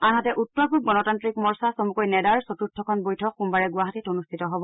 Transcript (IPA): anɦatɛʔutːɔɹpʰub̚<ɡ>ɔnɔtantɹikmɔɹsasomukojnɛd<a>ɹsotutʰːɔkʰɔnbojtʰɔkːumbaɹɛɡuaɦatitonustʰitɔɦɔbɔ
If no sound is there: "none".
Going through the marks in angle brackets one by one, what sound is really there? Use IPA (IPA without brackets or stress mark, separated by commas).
ɡ, a